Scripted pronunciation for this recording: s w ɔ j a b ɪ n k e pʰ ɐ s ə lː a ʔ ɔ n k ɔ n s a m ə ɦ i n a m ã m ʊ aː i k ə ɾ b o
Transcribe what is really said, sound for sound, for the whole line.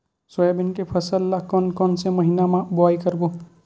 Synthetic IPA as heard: s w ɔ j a b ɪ n k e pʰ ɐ s ə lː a k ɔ n k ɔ n s e m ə ɦ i n a m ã b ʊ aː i k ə ɾ b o